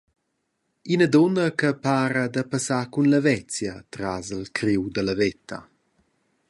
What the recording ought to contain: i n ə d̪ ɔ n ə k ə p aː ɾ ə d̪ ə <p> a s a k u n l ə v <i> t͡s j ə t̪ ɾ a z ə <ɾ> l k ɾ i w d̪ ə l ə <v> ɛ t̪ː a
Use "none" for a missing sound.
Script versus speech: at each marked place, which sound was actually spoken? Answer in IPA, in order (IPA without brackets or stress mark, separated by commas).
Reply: p, ɛ, none, v